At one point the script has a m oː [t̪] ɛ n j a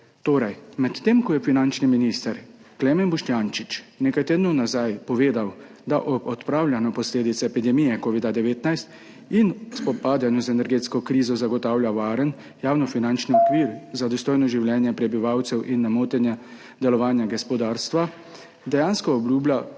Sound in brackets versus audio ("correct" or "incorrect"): correct